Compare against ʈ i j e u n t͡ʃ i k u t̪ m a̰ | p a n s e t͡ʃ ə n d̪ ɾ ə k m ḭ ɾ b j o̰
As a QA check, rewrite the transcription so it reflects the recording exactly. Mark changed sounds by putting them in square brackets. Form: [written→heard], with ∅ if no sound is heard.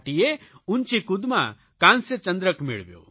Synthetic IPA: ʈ i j e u n t͡ʃ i k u [t̪→d̪] m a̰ | [p→k] a n s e t͡ʃ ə n d̪ ɾ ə k m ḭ [ɾ→ɭ] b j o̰

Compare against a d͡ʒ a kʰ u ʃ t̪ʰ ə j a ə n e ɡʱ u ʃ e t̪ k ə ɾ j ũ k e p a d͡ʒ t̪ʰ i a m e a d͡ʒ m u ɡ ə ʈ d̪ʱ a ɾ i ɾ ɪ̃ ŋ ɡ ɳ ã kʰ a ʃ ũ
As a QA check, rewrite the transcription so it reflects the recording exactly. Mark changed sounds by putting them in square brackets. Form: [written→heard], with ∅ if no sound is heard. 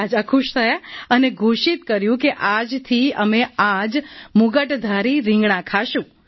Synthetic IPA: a d͡ʒ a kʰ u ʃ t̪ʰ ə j a ə n e ɡʱ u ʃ [e→i] t̪ k ə ɾ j ũ k e [p→ʔ] a d͡ʒ t̪ʰ i [a→ə] m e a d͡ʒ m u ɡ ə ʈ d̪ʱ a ɾ i ɾ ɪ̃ ŋ ɡ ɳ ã kʰ a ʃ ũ

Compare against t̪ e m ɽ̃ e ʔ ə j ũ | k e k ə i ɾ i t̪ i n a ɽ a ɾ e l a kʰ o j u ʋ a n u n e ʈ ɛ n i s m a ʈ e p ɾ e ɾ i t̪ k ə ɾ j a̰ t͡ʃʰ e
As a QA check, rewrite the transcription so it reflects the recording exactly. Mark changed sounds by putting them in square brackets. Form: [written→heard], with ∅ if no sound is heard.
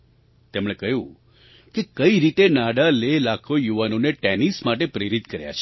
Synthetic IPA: t̪ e m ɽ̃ e [ʔ→k] ə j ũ | k e k ə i ɾ i t̪ [i→e] n a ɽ a [ɾ→l] e l a kʰ o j u ʋ a n [u→o] n e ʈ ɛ n i s m a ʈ e p ɾ e ɾ i t̪ k ə ɾ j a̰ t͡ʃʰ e

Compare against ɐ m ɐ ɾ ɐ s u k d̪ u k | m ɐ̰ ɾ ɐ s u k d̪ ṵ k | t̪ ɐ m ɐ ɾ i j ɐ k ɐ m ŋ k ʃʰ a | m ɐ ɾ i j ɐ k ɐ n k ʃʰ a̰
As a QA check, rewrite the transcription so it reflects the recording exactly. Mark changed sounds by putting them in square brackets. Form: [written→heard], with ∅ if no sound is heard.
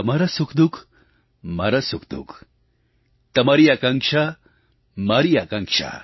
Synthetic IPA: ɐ m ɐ ɾ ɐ s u k d̪ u k | m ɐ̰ ɾ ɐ s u k d̪ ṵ k | t̪ ɐ m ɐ ɾ i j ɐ k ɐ [m→∅] ŋ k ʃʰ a | m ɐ ɾ i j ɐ k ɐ [n→ŋ] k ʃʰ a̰

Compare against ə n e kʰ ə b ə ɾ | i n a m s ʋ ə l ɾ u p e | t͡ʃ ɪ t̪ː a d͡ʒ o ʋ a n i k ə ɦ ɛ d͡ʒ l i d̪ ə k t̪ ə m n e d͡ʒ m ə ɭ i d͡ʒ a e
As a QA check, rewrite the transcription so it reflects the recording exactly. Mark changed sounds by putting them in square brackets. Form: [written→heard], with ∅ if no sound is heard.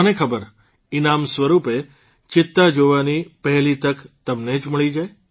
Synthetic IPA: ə n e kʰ ə b ə ɾ | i n a m s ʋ ə [l→∅] ɾ u p e | t͡ʃ ɪ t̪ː a d͡ʒ o ʋ a n i [k→p] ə ɦ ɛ [d͡ʒ→∅] l i [d̪→t̪] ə k t̪ ə m n e d͡ʒ m ə ɭ i d͡ʒ a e

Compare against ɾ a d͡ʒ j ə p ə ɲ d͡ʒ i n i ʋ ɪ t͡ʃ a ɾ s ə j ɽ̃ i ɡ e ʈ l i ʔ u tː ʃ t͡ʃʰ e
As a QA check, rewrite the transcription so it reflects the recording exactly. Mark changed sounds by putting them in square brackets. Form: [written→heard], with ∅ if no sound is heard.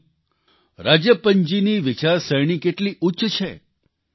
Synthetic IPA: ɾ a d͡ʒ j ə p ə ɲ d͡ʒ i n i ʋ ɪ t͡ʃ a ɾ s ə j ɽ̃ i [ɡ→k] e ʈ l i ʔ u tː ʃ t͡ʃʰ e

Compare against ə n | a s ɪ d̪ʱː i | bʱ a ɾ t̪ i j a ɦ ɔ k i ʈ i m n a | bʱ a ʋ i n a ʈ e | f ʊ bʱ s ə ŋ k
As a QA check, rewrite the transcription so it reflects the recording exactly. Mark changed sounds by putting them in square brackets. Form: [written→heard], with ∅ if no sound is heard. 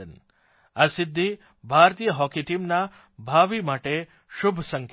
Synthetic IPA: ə n | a s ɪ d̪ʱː i | bʱ a ɾ t̪ i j [a→ə] ɦ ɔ k i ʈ i m n a | bʱ a ʋ i [n→m] a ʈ e | [f→ʃ] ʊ bʱ s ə ŋ k

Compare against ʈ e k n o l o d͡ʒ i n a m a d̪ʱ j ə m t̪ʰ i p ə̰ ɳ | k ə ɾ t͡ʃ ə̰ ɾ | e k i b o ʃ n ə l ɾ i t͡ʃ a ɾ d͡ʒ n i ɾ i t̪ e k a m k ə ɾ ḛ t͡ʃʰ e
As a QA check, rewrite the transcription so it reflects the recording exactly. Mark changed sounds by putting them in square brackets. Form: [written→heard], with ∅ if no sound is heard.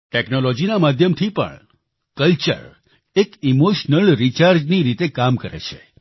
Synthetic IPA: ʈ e k n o l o d͡ʒ i n a m a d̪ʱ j ə m t̪ʰ i p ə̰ ɳ | k ə [ɾ→l] t͡ʃ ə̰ ɾ | e k i [b→m] o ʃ n ə l ɾ i t͡ʃ a ɾ d͡ʒ n i ɾ i t̪ e k a m k ə ɾ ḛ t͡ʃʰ e

